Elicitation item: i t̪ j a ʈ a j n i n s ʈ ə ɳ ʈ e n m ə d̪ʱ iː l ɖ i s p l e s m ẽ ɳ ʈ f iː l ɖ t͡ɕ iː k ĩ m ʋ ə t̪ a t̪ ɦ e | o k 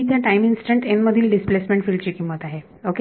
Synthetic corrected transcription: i t̪ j a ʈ a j m i n s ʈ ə ɳ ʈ e n m ə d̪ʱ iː l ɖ i s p l e s m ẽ ɳ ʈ f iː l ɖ t͡ɕ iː k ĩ m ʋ ə t̪ a ɦ e | o k